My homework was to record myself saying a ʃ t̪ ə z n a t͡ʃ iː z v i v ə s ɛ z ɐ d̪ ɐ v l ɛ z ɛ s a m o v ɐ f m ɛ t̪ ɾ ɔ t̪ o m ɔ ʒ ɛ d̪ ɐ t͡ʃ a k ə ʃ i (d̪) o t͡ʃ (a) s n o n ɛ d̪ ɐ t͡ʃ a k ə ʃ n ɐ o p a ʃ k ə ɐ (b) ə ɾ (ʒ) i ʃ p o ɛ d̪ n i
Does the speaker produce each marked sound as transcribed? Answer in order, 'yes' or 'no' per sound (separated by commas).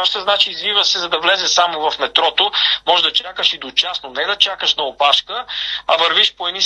yes, yes, no, no